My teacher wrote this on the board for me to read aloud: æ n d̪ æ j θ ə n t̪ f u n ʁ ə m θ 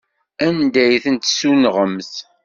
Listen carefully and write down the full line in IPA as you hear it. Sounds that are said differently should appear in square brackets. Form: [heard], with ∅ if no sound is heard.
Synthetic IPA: æ n d̪ æ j θ ə n t̪ [s] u n ʁ ə m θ